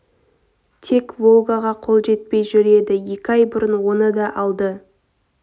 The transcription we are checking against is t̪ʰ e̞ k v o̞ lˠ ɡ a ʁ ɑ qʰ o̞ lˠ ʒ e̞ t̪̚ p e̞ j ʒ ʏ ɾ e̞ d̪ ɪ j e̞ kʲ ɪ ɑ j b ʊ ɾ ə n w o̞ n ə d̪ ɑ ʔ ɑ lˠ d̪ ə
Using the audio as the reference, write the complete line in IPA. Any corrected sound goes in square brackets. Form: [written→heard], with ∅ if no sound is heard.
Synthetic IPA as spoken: t̪ʰ e̞ k v o̞ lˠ ɡ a ʁ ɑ qʰ o̞ lˠ ʒ e̞ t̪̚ p e̞ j ʒ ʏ ɾ e̞ d̪ ɪ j e̞ kʲ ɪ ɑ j b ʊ ɾ ə n w o̞ n ə d̪ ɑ ʔ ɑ lˠ d̪ ə

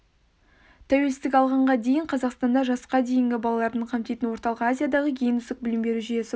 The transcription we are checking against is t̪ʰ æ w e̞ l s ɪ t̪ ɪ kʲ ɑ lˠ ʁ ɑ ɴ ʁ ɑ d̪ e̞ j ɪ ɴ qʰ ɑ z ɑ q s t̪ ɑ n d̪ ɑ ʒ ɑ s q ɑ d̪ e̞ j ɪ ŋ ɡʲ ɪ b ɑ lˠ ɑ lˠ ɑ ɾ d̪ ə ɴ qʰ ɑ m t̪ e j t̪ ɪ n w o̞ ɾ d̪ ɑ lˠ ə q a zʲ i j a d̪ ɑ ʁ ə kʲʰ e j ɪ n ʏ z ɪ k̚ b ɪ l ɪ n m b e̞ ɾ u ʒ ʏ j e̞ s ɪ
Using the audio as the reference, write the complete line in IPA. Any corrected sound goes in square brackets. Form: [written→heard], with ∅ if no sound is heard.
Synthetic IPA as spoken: t̪ʰ æ w e̞ l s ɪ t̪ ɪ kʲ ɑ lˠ ʁ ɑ ɴ ʁ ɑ d̪ e̞ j ɪ ɴ qʰ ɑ z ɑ q s t̪ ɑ n d̪ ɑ ʒ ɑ s q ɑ d̪ e̞ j ɪ ŋ ɡʲ ɪ b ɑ lˠ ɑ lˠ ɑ ɾ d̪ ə ɴ qʰ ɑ m t̪ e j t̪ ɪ n w o̞ ɾ [d̪→t̪] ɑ lˠ ə q a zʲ i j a d̪ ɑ ʁ ə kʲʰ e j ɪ n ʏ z ɪ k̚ b ɪ l ɪ [n→∅] m b e̞ ɾ u ʒ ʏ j e̞ s ɪ

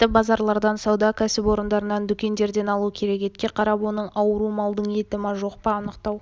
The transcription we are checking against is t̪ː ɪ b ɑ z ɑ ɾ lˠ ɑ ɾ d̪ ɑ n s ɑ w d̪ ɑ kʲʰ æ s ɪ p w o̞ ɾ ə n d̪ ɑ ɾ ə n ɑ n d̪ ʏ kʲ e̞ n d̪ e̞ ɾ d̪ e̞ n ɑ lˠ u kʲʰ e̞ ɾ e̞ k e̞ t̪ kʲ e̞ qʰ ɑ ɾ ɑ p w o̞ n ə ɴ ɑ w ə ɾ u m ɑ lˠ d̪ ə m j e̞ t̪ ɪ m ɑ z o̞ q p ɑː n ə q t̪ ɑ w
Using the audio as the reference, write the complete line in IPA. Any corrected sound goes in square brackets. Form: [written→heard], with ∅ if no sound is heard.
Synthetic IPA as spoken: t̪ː ɪ b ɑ z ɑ ɾ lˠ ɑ ɾ d̪ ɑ n s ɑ w d̪ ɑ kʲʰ æ s ɪ p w o̞ ɾ ə n d̪ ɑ ɾ ə n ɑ n d̪ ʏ kʲ e̞ n d̪ e̞ ɾ d̪ e̞ n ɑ lˠ u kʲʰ e̞ ɾ e̞ k e̞ t̪ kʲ e̞ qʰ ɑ ɾ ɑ p w o̞ n ə ɴ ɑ w ə ɾ u m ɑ lˠ d̪ ə [m→ɴ] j e̞ t̪ ɪ m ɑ [z→ʒ] o̞ q p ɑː n ə q t̪ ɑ w

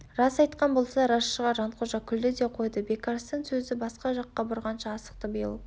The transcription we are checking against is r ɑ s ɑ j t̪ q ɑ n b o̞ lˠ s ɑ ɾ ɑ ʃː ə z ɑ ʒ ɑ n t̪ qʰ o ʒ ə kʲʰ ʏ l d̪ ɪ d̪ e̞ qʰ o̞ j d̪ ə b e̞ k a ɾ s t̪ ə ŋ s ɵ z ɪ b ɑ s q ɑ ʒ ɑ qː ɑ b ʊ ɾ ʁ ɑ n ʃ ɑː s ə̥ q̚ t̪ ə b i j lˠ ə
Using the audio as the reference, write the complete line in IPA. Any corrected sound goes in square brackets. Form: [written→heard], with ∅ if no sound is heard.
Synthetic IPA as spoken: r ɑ s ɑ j t̪ q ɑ n b o̞ lˠ s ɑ ɾ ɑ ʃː ə [z→ʁ] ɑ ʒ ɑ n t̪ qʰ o ʒ [ə→ɑ] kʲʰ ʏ l d̪ ɪ d̪ e̞ qʰ o̞ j d̪ ə b e̞ k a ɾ s t̪ ə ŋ s ɵ z ɪ b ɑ s q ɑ ʒ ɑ qː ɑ b ʊ ɾ ʁ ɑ n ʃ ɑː s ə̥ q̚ t̪ ə b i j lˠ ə

